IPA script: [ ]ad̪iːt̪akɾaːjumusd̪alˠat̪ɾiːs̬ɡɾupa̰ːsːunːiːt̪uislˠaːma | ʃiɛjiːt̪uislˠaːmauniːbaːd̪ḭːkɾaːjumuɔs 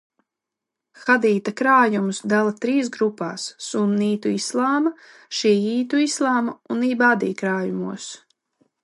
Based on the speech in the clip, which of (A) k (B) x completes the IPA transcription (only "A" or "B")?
B